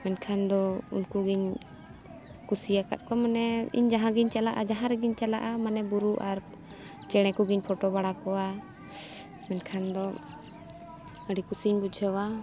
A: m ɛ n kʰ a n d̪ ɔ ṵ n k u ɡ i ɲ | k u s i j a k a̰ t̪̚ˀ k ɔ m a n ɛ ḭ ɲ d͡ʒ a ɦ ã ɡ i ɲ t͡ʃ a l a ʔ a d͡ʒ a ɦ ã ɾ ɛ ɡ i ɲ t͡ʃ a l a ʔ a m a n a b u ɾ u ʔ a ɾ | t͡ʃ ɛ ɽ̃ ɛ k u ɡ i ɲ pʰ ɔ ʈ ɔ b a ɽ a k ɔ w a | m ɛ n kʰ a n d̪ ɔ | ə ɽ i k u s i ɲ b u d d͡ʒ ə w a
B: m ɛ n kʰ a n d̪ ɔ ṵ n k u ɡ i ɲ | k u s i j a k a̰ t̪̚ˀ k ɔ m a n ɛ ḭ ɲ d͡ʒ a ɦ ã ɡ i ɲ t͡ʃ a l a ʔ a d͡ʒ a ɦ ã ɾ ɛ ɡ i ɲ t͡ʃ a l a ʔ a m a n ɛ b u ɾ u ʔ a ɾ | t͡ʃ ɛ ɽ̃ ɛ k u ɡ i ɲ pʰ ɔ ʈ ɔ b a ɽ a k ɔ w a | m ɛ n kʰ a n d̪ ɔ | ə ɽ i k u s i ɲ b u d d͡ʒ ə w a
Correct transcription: B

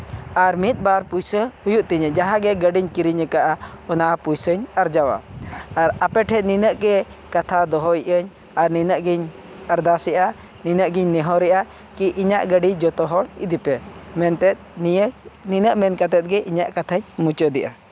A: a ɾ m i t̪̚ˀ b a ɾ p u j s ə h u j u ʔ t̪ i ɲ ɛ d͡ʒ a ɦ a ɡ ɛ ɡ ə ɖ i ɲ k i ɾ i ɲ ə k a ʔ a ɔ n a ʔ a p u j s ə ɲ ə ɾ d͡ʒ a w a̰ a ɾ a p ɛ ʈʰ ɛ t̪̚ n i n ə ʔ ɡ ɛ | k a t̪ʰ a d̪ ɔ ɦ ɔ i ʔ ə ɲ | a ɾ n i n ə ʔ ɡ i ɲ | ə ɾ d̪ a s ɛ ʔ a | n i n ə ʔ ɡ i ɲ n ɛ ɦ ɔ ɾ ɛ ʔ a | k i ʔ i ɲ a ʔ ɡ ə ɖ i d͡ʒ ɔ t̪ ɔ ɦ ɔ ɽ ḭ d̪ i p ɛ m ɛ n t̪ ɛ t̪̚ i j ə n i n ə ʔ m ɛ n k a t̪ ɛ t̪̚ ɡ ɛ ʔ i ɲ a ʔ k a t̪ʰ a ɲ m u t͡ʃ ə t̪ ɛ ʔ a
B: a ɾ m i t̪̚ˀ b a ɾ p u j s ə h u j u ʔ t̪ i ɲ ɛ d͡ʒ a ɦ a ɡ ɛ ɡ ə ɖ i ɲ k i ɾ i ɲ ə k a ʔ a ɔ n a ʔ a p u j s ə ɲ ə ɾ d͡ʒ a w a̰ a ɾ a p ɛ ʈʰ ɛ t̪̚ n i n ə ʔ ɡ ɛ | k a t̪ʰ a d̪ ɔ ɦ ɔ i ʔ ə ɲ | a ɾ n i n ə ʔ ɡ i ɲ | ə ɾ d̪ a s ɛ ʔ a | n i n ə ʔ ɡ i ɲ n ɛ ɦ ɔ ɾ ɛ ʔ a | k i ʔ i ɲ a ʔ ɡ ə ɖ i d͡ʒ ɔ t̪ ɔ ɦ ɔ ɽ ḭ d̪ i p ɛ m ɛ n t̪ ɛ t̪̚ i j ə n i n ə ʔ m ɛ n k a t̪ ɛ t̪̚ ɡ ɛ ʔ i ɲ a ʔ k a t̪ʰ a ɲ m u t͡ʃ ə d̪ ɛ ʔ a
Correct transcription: B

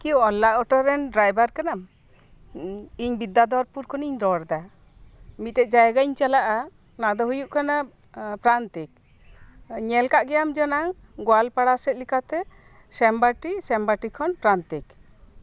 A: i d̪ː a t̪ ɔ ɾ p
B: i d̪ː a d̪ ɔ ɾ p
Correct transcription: B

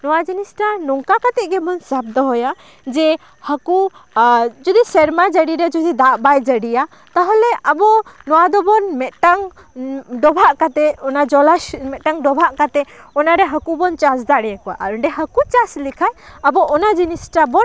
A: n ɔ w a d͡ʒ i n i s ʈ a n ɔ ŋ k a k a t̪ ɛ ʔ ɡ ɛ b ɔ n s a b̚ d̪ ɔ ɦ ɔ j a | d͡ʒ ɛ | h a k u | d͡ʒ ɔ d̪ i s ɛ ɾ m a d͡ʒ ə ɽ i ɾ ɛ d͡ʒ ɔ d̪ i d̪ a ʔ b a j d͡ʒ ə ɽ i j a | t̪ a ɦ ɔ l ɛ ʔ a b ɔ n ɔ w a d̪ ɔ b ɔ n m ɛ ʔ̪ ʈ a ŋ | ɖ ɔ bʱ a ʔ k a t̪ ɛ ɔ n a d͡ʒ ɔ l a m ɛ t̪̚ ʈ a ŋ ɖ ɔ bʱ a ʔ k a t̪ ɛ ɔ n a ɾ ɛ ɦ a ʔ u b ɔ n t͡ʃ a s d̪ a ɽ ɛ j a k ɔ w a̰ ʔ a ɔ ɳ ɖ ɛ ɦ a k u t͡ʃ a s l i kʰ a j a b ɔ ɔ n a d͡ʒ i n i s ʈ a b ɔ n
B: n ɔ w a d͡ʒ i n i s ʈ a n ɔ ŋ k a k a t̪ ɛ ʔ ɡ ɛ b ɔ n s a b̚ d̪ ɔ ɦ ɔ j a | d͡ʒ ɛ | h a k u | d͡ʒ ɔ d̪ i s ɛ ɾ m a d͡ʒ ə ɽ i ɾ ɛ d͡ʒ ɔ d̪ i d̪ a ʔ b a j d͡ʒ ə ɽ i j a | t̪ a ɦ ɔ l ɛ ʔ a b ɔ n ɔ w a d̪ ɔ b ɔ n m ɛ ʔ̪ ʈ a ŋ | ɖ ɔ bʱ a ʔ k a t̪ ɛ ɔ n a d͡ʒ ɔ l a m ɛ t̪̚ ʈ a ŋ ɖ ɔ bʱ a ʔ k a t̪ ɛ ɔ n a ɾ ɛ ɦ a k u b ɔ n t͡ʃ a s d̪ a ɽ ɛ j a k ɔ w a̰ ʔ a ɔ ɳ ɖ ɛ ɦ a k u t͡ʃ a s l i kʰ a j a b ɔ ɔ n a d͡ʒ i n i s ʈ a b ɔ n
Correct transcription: B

